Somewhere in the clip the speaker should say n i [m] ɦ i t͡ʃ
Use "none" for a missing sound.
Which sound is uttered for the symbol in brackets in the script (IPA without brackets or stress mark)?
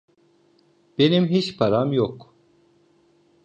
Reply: m